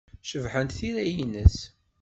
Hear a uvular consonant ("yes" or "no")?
no